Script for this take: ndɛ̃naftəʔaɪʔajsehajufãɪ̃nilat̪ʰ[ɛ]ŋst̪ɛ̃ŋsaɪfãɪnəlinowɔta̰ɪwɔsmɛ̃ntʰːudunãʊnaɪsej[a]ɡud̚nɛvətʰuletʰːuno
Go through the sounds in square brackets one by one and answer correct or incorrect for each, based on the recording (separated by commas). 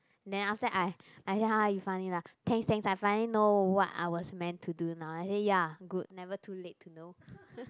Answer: incorrect, correct